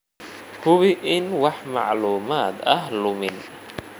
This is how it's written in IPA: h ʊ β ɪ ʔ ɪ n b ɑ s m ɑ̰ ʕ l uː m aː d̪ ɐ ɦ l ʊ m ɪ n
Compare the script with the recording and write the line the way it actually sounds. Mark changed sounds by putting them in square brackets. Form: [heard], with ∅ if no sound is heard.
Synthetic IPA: h ʊ β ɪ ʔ ɪ n [w] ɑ [ħ] m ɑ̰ ʕ l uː m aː d̪ ɐ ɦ l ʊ m ɪ n